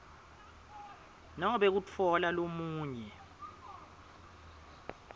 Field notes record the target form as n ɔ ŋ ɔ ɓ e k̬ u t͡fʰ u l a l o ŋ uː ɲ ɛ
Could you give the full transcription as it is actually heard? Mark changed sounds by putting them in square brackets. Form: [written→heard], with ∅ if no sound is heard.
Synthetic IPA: n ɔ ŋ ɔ ɓ e k̬ u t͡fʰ [u→ɔ] l a l o [ŋ→m] uː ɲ ɛ